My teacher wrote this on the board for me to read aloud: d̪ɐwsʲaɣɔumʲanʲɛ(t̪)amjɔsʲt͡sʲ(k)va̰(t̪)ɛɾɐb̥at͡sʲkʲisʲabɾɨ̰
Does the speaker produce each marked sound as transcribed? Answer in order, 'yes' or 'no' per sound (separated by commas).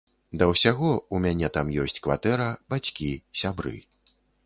yes, yes, yes